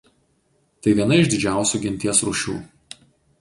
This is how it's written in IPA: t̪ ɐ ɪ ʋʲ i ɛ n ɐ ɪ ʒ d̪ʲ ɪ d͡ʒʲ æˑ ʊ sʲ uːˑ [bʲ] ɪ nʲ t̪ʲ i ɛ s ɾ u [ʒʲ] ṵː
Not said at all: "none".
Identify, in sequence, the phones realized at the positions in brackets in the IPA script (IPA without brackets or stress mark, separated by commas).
ɡʲ, ʃʲ